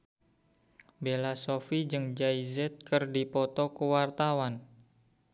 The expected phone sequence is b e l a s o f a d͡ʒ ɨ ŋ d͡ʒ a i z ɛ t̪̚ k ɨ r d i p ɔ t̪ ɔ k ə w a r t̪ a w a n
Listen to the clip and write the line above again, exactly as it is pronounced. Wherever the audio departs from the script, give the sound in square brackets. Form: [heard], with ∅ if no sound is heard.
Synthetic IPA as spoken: b e l a s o f [i] d͡ʒ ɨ ŋ d͡ʒ a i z ɛ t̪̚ k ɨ r d i p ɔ t̪ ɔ k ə w a r t̪ a w a n